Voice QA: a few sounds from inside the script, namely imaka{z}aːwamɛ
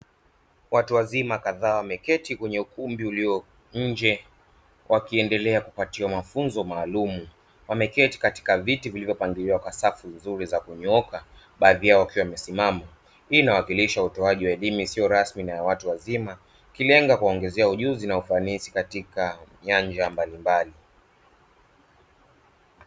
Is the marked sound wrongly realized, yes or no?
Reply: yes